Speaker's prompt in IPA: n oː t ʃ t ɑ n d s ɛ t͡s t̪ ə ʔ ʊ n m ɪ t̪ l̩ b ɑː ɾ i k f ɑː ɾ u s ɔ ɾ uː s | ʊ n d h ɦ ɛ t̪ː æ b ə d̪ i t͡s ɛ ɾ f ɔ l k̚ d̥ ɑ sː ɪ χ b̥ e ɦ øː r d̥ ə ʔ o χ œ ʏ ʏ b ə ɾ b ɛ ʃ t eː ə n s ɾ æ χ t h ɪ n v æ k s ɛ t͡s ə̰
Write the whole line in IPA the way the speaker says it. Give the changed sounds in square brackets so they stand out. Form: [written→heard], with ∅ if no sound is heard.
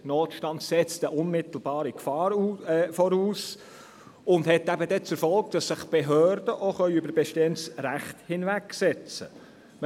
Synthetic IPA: n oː t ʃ t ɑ n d s ɛ t͡s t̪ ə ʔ ʊ n m ɪ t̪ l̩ b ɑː ɾ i k f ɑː ɾ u [s→f] ɔ ɾ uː s | ʊ n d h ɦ ɛ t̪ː æ b ə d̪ [i→ɛ] t͡s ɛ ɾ f ɔ l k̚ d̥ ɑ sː ɪ χ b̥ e ɦ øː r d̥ ə ʔ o χ œ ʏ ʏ b ə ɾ b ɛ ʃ t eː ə n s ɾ æ χ t h ɪ n v æ k s ɛ t͡s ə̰

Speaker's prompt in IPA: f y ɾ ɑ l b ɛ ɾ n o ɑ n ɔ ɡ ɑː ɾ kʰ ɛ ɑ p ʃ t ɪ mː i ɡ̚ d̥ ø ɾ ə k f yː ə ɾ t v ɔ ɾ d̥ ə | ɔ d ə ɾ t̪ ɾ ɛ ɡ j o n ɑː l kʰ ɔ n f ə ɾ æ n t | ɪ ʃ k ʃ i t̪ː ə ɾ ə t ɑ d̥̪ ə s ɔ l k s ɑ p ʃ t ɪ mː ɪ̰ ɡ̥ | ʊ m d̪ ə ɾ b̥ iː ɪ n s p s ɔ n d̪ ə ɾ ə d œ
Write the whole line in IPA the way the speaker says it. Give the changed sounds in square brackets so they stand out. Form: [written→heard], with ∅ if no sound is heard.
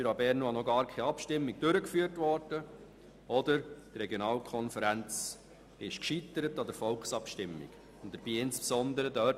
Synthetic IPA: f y ɾ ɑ [l→∅] b ɛ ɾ n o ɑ n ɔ ɡ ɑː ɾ kʰ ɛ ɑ p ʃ t ɪ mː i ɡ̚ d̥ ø ɾ ə k f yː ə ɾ t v ɔ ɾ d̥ ə | ɔ d ə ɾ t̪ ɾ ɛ ɡ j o n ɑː l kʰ ɔ n f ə ɾ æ n [t→t͡s] | ɪ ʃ k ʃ i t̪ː ə ɾ ə t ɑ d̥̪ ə [s→f] ɔ l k s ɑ p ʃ t ɪ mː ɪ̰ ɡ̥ | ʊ [m→n] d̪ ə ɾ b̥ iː ɪ n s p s ɔ n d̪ ə ɾ ə d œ

